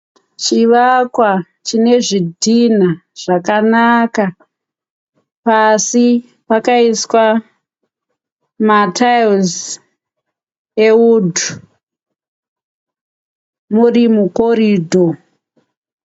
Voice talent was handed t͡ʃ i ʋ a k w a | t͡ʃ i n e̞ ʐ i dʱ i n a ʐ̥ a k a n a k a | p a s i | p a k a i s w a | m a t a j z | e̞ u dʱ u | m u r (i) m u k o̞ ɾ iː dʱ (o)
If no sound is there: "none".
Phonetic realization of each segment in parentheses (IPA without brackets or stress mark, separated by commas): i, o